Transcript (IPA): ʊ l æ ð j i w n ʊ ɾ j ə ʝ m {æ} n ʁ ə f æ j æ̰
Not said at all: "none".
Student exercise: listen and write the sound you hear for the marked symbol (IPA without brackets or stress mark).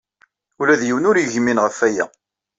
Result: i